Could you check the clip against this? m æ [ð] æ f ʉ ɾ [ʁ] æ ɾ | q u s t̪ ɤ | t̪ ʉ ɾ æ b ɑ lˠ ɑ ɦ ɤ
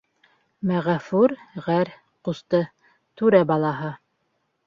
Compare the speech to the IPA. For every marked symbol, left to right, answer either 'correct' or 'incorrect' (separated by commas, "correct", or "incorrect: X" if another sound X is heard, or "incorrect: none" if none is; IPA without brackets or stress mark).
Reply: incorrect: ʁ, correct